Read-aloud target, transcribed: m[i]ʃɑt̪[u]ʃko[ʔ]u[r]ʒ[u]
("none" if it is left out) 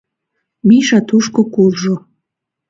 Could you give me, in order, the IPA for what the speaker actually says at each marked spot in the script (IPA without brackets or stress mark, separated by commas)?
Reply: i, u, k, l, o